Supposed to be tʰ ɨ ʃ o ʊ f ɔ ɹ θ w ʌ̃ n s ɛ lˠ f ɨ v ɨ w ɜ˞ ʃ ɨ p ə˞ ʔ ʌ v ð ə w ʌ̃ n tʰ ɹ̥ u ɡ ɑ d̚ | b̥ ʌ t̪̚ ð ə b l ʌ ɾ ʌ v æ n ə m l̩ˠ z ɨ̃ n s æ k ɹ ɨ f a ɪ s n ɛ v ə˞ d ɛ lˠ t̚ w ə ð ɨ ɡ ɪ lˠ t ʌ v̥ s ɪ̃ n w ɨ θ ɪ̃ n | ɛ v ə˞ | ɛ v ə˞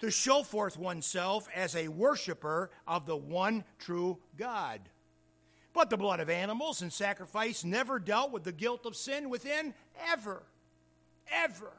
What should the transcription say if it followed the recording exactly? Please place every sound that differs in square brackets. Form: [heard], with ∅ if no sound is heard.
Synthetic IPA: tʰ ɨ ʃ o ʊ f ɔ ɹ θ w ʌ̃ n s ɛ lˠ f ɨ [z] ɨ w ɜ˞ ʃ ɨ p ə˞ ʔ ʌ v ð ə w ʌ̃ n tʰ ɹ̥ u ɡ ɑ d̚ | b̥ ʌ t̪̚ ð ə b l ʌ ɾ ʌ v æ n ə m l̩ˠ z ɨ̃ n s æ k ɹ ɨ f a ɪ s n ɛ v ə˞ d ɛ lˠ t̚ w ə ð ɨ ɡ ɪ lˠ t ʌ v̥ s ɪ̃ n w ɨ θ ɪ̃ n | ɛ v ə˞ | ɛ v ə˞